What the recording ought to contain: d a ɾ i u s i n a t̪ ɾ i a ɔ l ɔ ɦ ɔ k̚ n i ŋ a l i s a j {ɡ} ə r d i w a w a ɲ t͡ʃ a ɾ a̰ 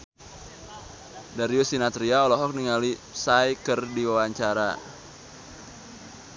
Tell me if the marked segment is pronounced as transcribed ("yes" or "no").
no